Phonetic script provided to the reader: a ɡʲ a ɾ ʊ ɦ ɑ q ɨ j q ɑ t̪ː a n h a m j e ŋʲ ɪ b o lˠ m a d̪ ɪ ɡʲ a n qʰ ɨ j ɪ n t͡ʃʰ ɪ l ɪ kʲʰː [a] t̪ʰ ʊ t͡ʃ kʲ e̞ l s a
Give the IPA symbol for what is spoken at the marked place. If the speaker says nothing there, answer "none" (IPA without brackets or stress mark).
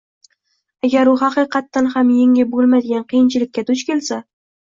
a